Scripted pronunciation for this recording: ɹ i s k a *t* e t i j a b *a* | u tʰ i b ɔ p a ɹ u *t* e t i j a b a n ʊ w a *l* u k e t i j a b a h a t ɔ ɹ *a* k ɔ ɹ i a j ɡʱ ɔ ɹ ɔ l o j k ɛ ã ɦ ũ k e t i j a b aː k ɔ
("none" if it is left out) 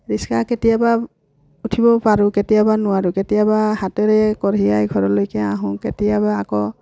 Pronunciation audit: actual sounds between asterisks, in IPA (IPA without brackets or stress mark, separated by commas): k, a, k, ɹ, ɛ